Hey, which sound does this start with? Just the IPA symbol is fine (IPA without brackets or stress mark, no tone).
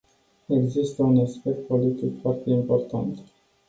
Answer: e̞